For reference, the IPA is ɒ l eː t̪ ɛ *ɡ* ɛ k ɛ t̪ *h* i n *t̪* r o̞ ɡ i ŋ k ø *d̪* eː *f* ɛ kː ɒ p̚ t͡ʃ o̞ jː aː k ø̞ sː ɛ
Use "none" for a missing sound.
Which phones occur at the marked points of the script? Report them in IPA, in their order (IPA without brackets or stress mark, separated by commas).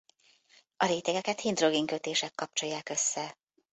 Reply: ɡ, h, d̪, t̪, ʃ